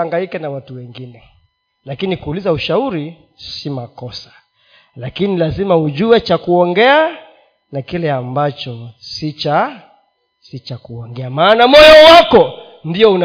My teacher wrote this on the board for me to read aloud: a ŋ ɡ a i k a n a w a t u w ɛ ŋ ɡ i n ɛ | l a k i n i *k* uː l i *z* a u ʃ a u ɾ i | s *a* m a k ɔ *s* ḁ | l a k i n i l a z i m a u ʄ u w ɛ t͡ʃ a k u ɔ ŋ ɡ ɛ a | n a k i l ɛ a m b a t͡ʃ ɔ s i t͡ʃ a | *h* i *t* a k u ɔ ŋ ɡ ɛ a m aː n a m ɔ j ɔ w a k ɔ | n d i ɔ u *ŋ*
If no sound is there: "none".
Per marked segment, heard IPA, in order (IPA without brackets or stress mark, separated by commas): k, z, i, s, s, t͡ʃ, n